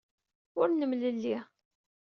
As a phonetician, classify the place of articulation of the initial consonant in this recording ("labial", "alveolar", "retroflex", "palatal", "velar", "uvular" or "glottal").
alveolar